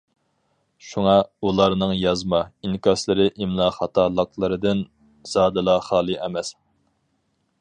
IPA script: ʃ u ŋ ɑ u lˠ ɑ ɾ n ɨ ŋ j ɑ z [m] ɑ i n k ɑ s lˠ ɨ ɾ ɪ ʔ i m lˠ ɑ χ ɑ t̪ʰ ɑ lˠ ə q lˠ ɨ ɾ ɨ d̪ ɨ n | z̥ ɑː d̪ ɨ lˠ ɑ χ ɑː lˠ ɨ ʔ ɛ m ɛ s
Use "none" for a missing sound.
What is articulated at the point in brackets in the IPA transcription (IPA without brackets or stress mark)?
m